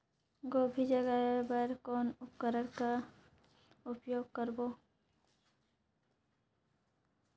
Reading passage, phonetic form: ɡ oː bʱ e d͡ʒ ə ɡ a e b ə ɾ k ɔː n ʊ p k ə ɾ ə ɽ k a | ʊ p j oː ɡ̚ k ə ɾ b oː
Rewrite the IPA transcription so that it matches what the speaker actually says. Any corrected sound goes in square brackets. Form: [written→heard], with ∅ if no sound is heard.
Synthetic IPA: ɡ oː bʱ [e→i] d͡ʒ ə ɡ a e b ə ɾ k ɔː n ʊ p k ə ɾ ə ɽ k a | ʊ p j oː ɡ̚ k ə ɾ b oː